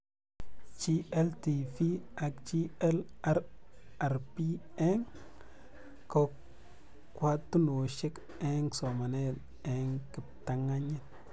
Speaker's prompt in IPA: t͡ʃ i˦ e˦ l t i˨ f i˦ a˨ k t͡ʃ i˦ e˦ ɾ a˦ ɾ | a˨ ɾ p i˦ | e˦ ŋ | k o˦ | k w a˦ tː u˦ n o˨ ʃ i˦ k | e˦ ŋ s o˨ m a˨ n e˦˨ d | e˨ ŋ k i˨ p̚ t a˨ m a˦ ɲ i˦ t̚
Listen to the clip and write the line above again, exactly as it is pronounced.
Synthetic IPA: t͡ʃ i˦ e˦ l t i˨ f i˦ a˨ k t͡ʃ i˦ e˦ l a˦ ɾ | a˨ ɾ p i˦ | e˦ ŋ | k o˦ | k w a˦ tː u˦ n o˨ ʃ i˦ k | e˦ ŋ s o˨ m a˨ n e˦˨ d | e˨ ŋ k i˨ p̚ t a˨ ŋ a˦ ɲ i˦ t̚